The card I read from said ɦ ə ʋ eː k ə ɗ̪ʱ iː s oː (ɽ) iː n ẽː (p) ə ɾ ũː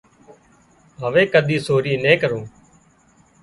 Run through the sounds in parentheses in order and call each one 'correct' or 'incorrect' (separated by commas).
incorrect, incorrect